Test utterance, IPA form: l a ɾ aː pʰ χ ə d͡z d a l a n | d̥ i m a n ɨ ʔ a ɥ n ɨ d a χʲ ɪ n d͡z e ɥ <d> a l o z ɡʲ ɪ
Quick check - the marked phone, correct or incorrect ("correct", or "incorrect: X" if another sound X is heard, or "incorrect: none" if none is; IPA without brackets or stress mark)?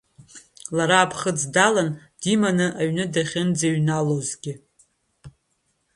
incorrect: n